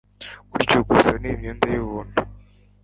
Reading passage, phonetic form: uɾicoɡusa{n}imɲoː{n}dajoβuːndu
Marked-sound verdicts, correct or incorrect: correct, correct

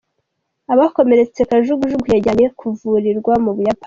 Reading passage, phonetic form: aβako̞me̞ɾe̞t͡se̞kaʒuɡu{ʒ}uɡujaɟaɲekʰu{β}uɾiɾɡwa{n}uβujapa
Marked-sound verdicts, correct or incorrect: correct, incorrect: v, incorrect: m

